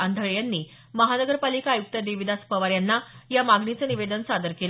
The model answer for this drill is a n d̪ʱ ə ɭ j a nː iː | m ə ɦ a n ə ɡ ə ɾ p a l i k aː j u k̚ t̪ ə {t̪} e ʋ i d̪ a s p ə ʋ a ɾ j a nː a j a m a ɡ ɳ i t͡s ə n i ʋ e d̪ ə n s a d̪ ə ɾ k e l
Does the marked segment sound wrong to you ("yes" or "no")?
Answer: yes